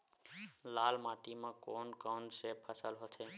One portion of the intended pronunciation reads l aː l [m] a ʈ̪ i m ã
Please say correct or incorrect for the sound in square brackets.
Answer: correct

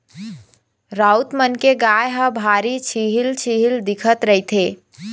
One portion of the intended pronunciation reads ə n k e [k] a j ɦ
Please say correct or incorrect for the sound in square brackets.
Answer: incorrect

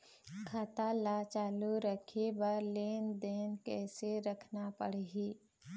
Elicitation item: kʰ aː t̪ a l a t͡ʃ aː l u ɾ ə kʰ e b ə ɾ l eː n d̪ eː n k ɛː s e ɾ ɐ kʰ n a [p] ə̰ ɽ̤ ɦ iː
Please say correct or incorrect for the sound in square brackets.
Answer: correct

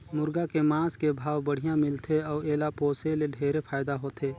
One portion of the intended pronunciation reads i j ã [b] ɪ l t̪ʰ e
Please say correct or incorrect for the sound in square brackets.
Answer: incorrect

